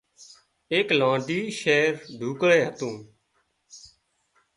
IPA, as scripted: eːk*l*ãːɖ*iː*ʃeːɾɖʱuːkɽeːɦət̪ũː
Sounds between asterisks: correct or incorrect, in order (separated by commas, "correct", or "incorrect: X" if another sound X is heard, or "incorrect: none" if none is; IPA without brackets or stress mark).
correct, correct